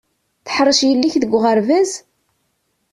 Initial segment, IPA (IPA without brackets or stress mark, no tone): θ